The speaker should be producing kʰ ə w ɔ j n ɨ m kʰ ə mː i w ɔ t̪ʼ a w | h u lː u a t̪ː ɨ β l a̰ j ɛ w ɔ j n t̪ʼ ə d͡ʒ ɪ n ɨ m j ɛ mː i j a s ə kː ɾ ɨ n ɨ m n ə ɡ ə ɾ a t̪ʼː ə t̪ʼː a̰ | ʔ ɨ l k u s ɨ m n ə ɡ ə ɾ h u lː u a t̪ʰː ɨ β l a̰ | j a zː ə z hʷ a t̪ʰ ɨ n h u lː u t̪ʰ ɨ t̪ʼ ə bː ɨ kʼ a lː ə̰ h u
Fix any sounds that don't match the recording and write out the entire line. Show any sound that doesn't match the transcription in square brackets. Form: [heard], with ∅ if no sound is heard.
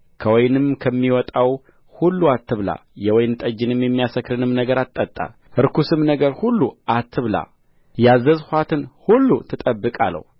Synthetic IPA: kʰ ə w ɔ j n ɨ m kʰ ə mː i w ɔ t̪ʼ a w | h u lː u a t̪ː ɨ β l a̰ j ɛ w ɔ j n t̪ʼ ə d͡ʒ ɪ n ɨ m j ɛ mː i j a s ə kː ɾ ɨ n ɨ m n ə ɡ ə ɾ a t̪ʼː ə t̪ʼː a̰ | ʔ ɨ [ɾ] k u s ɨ m n ə ɡ ə ɾ h u lː u a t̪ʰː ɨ β l a̰ | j a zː ə z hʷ a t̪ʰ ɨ n h u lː u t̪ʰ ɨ t̪ʼ ə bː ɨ kʼ a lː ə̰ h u

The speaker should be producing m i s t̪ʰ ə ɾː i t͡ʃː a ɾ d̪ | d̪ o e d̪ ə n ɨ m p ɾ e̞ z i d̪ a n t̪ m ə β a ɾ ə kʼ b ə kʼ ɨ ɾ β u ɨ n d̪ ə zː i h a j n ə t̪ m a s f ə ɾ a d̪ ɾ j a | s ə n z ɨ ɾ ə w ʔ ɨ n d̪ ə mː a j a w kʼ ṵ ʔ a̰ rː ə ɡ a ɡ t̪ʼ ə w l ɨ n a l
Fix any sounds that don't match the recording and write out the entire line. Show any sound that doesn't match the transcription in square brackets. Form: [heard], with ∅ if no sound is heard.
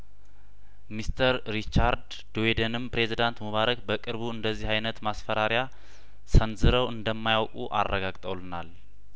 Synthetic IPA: m i s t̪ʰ ə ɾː i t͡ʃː a ɾ d̪ | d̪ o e d̪ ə n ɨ m p ɾ e̞ z i d̪ a n t̪ m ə β a ɾ ə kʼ b ə kʼ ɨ ɾ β u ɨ n d̪ ə zː i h a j n ə t̪ m a s f ə ɾ a [∅] ɾ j a | s ə n z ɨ ɾ ə w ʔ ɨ n d̪ ə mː a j a w kʼ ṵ ʔ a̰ rː ə ɡ a ɡ t̪ʼ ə w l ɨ n a l

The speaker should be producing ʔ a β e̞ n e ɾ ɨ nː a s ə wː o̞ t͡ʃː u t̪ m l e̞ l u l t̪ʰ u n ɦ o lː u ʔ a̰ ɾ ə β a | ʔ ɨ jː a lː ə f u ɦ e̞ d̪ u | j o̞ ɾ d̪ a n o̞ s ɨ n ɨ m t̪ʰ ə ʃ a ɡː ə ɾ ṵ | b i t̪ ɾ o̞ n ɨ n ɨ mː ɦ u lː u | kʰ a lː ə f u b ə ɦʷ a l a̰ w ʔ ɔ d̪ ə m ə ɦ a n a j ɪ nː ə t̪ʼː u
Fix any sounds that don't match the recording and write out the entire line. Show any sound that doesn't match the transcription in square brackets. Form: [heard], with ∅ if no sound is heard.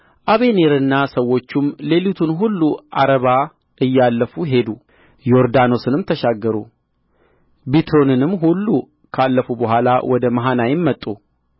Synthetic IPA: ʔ a β e̞ n e ɾ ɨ nː a s ə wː o̞ t͡ʃː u [∅] m l e̞ l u [∅] t̪ʰ u n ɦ [u] lː u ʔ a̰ ɾ ə β a | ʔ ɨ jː a lː ə f u ɦ e̞ d̪ u | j o̞ ɾ d̪ a n o̞ s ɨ n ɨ m t̪ʰ ə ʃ a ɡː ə ɾ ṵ | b i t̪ ɾ o̞ n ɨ n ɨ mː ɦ u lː u | kʰ a lː ə f u b ə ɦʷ a l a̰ w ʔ ɔ d̪ ə m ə ɦ a n a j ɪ [mː] ə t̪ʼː u

